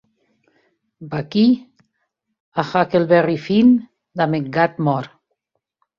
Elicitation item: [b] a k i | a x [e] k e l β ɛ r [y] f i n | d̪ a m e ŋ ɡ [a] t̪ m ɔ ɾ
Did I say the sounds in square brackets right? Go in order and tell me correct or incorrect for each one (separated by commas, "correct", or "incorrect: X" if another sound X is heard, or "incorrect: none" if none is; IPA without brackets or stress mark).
correct, incorrect: a, incorrect: i, correct